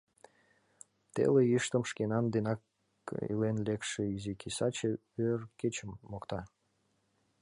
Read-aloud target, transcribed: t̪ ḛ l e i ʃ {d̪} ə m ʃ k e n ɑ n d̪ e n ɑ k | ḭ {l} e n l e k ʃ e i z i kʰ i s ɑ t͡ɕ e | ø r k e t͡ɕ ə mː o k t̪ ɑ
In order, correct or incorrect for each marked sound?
incorrect, correct

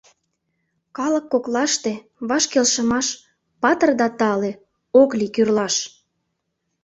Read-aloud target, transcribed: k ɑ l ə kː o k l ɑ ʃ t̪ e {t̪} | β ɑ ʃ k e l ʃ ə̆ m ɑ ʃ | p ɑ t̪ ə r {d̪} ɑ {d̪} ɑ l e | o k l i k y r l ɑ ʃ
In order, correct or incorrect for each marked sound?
incorrect, correct, incorrect

